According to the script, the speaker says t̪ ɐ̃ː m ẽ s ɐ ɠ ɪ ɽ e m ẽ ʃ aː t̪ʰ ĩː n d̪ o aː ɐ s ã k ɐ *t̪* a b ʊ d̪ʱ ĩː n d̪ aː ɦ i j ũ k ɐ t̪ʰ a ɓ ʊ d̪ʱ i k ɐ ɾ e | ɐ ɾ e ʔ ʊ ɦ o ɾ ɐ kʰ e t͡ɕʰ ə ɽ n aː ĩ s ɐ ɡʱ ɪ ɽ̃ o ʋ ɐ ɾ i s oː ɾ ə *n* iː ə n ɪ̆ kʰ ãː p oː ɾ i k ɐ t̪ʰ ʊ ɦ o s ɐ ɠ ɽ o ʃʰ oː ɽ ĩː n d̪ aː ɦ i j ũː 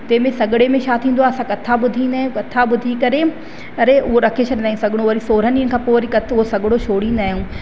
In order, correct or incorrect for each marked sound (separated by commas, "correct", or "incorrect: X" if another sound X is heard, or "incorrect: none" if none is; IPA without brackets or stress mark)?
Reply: incorrect: t̪ʰ, correct